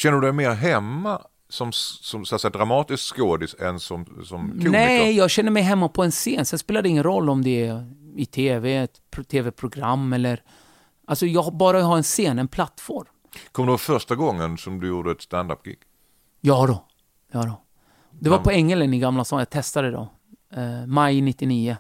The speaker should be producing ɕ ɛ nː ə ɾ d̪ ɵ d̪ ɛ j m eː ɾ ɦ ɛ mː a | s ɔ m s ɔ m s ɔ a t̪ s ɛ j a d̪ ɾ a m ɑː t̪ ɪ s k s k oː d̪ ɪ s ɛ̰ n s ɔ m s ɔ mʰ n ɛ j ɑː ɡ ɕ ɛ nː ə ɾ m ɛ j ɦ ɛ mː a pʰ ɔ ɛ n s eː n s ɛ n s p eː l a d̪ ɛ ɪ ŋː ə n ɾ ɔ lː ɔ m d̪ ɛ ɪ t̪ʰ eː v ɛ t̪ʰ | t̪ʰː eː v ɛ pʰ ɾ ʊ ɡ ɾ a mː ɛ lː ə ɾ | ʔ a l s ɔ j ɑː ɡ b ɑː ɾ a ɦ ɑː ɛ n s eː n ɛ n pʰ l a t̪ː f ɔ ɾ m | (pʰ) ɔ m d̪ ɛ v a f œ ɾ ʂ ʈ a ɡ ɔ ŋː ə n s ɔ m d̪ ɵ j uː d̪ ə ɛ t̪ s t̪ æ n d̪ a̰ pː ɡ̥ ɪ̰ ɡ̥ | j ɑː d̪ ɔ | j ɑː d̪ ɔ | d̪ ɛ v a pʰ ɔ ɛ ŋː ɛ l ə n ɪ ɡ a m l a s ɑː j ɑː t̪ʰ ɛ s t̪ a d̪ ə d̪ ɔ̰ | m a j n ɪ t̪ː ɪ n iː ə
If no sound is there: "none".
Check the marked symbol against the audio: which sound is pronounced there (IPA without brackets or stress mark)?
kʰ